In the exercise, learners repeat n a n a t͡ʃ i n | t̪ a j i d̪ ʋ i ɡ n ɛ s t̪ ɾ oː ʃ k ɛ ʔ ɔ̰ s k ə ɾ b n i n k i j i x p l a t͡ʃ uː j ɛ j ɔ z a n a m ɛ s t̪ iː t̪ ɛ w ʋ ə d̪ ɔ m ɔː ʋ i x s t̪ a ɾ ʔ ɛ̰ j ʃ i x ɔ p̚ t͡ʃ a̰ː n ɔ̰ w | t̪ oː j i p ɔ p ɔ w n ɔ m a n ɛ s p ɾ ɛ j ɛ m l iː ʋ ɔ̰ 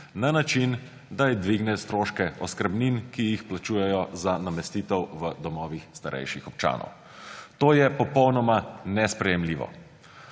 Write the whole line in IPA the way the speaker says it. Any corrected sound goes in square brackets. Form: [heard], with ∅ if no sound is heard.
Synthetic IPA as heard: n a n a t͡ʃ i n | [d̪] a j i d̪ ʋ i ɡ n ɛ s t̪ ɾ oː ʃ k ɛ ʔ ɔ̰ s k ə ɾ b n i n k i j i x p l a t͡ʃ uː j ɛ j ɔ z a n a m ɛ s t̪ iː t̪ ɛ w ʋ ə d̪ ɔ m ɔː ʋ i x s t̪ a ɾ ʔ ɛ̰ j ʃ i x ɔ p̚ t͡ʃ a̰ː n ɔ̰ w | t̪ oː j [ɛ] p ɔ p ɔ w n ɔ m a n ɛ s p ɾ ɛ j ɛ m l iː ʋ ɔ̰